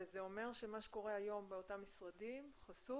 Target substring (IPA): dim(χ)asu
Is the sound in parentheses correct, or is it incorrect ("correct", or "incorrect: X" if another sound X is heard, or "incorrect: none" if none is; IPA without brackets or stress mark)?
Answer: correct